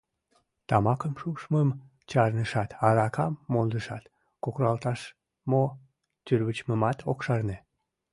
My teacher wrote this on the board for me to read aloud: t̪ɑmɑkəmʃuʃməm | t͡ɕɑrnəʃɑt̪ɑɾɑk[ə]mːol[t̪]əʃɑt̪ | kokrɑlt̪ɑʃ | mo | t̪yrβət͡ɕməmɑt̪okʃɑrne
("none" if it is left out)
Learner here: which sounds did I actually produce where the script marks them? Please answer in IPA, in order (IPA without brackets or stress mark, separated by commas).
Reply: ɑ, d̪